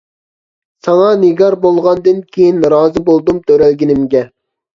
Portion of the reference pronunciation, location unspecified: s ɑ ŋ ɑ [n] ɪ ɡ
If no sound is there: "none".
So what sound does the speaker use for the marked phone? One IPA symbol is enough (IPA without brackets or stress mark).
n